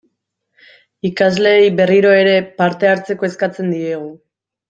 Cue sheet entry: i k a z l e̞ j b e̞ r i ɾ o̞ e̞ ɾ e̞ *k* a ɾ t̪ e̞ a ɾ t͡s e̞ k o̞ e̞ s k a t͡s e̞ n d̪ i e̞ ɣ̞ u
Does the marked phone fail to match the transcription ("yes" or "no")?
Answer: yes